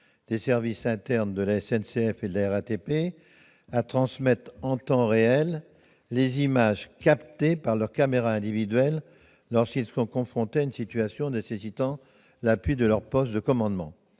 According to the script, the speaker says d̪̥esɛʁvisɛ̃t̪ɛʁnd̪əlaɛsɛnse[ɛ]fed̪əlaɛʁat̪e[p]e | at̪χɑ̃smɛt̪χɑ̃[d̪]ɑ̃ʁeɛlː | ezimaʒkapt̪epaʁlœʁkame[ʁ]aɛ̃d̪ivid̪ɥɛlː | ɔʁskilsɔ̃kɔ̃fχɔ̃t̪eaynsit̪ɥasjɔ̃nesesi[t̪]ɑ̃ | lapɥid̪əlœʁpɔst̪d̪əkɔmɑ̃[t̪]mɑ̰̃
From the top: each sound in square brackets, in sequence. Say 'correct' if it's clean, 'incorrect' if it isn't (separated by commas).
correct, correct, incorrect, correct, correct, incorrect